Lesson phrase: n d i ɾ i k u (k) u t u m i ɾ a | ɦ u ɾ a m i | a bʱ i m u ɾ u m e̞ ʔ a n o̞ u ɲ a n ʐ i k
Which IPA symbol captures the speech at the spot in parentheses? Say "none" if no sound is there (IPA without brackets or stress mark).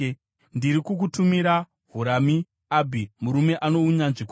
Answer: k